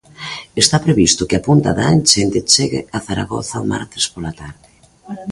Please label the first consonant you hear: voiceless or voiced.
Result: voiceless